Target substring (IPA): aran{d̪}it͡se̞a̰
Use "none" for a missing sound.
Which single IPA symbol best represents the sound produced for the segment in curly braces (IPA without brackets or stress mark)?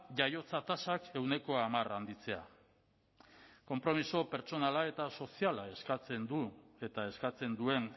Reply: d̪